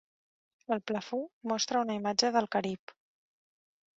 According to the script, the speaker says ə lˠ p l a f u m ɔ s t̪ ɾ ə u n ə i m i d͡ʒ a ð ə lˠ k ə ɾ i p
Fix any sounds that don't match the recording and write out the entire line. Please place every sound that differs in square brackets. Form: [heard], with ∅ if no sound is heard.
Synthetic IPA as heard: ə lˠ p l [ə] f u m ɔ s t̪ ɾ ə u n ə i m [a] d͡ʒ [ə] ð ə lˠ k ə ɾ i p